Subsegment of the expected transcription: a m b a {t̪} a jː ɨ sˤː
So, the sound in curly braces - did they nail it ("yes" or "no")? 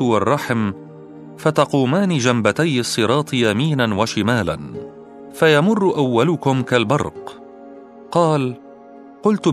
yes